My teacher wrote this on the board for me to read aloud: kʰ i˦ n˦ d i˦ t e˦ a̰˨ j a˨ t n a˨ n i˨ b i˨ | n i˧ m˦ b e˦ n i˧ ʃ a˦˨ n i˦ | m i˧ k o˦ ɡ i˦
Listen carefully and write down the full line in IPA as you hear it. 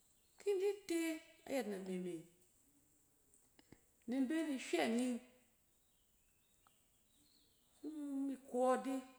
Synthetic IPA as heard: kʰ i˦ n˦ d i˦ t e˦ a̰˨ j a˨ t n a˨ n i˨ m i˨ | n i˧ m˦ b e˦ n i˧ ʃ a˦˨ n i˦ | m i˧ k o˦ d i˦